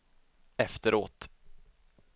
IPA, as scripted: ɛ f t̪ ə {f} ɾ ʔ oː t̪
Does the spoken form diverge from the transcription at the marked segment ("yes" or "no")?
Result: yes